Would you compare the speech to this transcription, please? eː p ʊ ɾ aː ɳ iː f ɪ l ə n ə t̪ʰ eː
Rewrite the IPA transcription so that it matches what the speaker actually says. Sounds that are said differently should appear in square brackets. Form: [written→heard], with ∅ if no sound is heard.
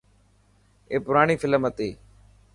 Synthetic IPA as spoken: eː p ʊ ɾ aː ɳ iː f ɪ l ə [n→m] ə [t̪ʰ→t̪] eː